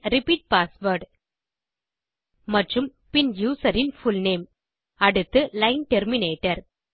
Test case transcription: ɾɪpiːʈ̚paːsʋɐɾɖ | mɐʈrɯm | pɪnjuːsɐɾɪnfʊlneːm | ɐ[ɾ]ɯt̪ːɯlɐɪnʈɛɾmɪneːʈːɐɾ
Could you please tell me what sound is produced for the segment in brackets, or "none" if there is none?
ɽ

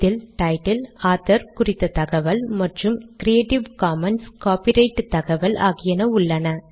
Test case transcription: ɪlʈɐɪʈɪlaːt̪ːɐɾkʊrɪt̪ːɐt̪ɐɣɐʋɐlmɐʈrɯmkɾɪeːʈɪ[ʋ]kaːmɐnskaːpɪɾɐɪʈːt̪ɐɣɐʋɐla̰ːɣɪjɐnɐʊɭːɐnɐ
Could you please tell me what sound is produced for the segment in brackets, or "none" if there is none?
ʋ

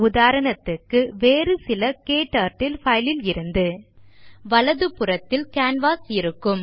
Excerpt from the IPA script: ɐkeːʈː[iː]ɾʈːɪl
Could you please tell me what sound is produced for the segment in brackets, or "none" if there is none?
aː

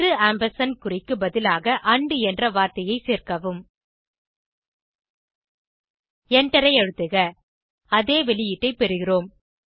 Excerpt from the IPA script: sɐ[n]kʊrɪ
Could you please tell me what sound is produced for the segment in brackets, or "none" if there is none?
n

